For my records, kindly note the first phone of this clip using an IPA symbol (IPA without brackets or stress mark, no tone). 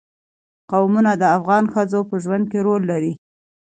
q